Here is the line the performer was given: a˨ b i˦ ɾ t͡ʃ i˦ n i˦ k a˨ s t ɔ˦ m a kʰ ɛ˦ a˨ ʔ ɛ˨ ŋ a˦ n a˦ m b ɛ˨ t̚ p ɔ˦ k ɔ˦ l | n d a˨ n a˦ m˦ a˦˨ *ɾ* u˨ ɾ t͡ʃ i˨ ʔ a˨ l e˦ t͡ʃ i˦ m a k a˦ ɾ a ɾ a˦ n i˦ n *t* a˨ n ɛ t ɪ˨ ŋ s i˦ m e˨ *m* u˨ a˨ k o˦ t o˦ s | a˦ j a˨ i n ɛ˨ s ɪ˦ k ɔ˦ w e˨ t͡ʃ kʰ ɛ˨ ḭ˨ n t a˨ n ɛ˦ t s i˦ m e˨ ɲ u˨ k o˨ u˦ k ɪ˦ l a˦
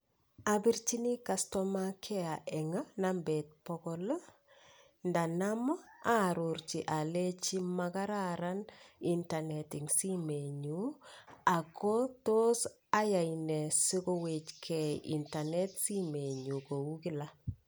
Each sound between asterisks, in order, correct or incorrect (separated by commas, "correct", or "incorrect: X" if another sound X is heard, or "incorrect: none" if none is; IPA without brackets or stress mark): correct, correct, incorrect: ɲ